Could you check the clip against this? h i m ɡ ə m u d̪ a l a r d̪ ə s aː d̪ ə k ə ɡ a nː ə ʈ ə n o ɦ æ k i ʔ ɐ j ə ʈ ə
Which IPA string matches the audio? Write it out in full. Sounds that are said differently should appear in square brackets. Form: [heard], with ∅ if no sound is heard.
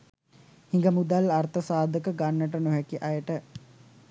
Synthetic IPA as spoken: h i [ŋ] ɡ ə m u d̪ a l a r [t̪] ə s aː d̪ ə k ə ɡ a nː ə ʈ ə n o ɦ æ k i ʔ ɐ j ə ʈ ə